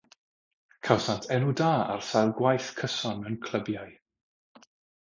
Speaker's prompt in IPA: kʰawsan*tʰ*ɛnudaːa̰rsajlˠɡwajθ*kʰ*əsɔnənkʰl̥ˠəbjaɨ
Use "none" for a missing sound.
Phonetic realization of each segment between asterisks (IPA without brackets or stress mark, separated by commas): tʰ, kʰ